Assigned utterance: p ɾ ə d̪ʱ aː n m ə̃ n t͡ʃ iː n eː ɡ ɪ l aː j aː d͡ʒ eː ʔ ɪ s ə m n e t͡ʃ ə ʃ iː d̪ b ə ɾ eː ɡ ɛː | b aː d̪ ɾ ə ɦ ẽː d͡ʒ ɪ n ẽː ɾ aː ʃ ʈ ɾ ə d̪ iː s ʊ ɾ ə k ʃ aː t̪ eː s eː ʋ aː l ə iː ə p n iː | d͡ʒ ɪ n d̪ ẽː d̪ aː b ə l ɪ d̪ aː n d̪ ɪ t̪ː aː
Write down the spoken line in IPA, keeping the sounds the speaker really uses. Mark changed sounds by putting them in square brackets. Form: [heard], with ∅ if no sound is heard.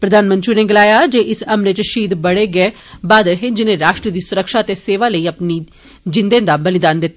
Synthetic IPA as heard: p ɾ ə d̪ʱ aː n m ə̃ n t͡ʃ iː n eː ɡ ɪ l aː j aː d͡ʒ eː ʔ ɪ s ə m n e t͡ʃ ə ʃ iː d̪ b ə [ɽ] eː ɡ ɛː | b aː d̪ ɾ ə ɦ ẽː d͡ʒ ɪ n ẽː ɾ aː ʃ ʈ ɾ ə d̪ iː s ʊ ɾ ə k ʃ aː t̪ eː s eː ʋ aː l ə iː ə p n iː | d͡ʒ ɪ n d̪ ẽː d̪ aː b ə l ɪ d̪ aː n d̪ ɪ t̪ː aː

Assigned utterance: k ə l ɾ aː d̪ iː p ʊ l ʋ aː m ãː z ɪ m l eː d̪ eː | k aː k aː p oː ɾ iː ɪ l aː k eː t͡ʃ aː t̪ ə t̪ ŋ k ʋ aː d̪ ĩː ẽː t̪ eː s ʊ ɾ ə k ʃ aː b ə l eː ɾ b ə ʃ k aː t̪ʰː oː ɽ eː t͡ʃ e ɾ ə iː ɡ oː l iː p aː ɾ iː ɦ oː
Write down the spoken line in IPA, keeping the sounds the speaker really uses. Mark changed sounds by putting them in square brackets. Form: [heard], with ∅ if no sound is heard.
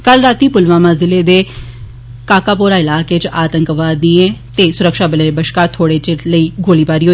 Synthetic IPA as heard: k ə l ɾ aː [t̪] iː p ʊ l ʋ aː m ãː z ɪ [∅] l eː d̪ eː | k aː k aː p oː ɾ [aː] ɪ l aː k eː t͡ʃ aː t̪ ə [∅] ŋ k ʋ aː d̪ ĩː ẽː t̪ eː s ʊ ɾ ə k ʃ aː b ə l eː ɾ b ə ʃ k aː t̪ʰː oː ɽ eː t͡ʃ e [l] ə iː ɡ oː l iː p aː ɾ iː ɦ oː

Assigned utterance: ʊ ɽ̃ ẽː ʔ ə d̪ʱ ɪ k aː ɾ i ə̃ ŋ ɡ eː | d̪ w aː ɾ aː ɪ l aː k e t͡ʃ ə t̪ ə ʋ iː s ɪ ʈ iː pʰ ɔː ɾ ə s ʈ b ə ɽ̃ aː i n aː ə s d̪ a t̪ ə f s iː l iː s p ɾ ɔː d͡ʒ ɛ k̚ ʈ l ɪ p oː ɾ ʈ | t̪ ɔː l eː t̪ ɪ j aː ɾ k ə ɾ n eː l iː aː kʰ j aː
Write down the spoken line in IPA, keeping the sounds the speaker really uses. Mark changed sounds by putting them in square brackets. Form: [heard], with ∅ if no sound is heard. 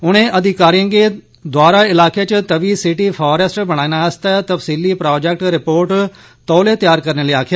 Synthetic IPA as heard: ʊ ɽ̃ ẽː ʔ ə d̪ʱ ɪ k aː ɾ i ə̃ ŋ ɡ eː | d̪ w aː ɾ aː ɪ l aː k e t͡ʃ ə t̪ ə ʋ iː s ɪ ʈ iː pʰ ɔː ɾ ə s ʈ b ə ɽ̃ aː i n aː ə s [t̪] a t̪ ə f s iː l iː [∅] p ɾ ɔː d͡ʒ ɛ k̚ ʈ [ɾ] ɪ p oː ɾ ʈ | t̪ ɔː l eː t̪ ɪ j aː ɾ k ə ɾ n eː l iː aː kʰ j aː

